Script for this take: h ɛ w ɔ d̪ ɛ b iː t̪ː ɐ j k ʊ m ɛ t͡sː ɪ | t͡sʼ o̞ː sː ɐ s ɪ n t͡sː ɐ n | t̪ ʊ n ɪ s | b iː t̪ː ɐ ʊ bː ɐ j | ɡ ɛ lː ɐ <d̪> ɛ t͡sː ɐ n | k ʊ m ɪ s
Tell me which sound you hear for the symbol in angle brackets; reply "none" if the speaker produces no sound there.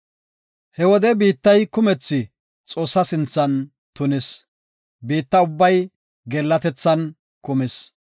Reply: t̪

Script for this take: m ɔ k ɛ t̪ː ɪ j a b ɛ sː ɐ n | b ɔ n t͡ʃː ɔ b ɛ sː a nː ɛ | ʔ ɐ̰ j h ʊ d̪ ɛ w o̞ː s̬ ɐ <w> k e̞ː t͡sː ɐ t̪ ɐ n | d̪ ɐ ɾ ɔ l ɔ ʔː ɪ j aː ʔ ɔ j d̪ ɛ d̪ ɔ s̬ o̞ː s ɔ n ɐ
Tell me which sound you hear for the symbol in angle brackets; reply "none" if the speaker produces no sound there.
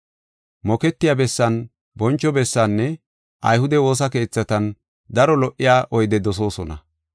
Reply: none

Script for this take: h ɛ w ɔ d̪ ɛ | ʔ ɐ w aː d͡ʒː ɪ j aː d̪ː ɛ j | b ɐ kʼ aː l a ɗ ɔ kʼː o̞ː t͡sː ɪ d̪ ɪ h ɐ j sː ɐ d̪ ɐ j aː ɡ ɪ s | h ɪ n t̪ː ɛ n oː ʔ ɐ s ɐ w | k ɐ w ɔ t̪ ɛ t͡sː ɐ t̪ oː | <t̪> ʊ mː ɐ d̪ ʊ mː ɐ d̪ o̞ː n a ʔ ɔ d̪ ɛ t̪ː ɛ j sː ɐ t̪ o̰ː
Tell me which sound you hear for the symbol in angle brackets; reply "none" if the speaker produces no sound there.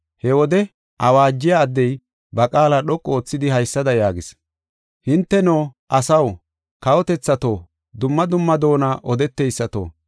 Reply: d̪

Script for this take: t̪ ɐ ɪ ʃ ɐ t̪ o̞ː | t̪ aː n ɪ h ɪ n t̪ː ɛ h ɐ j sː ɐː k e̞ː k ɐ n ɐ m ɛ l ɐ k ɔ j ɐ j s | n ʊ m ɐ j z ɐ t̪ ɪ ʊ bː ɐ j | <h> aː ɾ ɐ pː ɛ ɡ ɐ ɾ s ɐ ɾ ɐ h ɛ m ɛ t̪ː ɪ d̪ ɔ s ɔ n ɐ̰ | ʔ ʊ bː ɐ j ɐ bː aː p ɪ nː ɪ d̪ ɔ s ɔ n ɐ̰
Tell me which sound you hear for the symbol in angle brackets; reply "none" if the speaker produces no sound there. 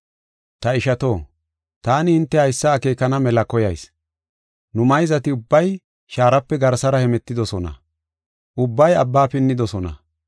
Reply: ʃ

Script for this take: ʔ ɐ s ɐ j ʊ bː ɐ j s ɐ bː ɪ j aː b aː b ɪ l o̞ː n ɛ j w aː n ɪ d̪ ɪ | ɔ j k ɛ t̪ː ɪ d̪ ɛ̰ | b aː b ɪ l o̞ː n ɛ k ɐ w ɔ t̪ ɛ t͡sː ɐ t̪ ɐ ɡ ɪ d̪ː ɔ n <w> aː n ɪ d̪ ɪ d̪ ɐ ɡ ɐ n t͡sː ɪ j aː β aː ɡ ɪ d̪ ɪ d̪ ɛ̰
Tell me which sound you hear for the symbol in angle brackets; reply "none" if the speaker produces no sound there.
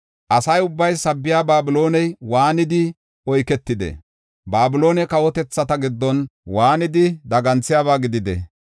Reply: w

